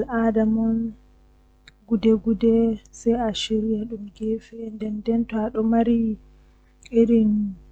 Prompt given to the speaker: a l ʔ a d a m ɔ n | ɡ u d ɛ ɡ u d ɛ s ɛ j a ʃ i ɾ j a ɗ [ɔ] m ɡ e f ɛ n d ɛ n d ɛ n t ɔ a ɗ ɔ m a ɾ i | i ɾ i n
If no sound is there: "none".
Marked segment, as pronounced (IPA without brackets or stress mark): u